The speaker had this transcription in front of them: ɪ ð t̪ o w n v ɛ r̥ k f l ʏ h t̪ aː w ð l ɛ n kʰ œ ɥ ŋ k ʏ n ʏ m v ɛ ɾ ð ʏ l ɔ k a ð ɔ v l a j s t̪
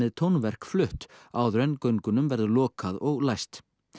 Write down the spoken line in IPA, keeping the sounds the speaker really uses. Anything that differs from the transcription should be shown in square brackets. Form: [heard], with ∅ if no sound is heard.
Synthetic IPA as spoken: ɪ ð [t̪ʰ] o w n v ɛ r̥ k f l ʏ h t̪ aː w ð [ɾ] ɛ n [k] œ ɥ ŋ k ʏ n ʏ m v ɛ ɾ ð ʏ l [ɔː] k a ð ɔ [ɣ] l a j s t̪